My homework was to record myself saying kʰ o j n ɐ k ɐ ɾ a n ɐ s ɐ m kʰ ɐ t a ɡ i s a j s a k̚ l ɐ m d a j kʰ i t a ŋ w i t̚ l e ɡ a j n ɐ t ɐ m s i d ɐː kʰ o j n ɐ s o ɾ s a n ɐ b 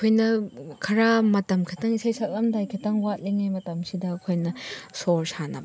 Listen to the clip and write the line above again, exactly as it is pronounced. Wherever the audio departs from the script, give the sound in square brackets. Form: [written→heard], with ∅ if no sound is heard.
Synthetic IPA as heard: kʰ o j n ɐ [k→kʰ] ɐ ɾ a [n→m] ɐ [s→t] ɐ m kʰ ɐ t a [ɡ→ŋ] i s a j s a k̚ l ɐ m d a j kʰ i t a ŋ w [i→a] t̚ l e [ɡ→ŋ] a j [n→m] ɐ t ɐ m s i d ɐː kʰ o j n ɐ s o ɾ s a n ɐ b